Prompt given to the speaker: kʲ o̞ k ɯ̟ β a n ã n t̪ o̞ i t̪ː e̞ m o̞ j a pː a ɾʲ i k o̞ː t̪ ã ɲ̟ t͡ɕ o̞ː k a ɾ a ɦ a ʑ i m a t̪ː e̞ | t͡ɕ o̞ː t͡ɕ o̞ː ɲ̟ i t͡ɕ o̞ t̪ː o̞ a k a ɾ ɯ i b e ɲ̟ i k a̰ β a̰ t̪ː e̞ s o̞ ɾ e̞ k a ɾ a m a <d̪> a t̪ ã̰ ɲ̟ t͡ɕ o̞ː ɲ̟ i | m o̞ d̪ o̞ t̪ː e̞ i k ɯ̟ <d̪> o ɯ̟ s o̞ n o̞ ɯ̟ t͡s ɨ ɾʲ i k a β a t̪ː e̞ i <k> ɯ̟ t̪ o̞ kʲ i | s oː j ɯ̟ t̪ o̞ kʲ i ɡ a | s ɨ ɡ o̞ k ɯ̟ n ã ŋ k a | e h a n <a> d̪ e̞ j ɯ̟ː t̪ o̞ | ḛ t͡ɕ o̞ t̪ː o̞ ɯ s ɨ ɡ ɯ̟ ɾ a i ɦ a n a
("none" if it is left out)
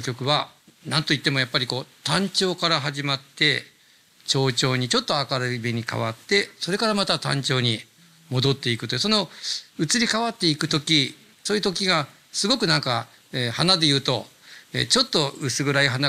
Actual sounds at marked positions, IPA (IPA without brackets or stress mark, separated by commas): t̪, t̪, k, a